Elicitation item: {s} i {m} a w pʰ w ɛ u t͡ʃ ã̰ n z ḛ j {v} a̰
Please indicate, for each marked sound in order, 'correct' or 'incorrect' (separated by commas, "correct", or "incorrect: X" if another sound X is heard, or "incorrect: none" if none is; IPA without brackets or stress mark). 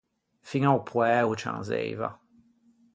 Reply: incorrect: f, incorrect: ŋ, correct